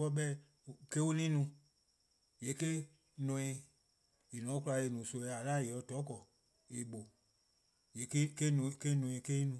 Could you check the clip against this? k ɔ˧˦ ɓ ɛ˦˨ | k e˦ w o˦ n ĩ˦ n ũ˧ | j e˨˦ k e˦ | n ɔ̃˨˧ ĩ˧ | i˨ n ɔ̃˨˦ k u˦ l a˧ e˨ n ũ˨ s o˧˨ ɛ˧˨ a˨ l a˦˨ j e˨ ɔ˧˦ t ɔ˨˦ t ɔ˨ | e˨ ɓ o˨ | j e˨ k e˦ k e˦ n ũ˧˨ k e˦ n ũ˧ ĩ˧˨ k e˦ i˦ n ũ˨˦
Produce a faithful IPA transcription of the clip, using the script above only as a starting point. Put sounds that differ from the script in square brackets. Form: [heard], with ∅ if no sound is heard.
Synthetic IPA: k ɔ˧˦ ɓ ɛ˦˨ | k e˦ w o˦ n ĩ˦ n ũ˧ | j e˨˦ k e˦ | n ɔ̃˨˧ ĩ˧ | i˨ n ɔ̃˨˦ k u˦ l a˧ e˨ n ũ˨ s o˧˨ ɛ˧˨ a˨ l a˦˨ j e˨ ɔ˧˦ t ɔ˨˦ [k] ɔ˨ | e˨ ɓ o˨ | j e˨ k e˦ k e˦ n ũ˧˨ k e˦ n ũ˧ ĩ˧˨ k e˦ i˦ n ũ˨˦